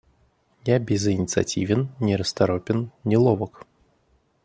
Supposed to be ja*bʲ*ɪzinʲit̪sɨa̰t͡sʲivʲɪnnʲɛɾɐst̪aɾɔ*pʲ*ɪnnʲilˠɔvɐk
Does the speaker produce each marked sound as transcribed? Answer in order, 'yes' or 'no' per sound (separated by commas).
yes, yes